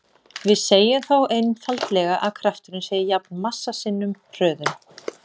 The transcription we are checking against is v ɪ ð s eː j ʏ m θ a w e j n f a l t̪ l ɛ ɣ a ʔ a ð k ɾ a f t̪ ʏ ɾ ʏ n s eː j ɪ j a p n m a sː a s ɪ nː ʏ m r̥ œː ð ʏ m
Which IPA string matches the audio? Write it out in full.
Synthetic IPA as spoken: v ɪ ð s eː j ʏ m θ a w e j n f a l t̪ l ɛ ɣ a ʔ a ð kʰ ɾ a f t̪ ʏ ɾ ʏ n s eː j ɪ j a p n m a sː a s ɪ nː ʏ m r̥ œː ð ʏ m